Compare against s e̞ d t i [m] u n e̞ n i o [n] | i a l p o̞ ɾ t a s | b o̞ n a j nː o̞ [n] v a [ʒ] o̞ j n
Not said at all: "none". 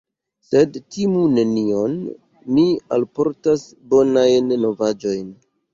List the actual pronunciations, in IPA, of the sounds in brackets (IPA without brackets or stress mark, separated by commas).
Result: m, nː, none, d͡ʒ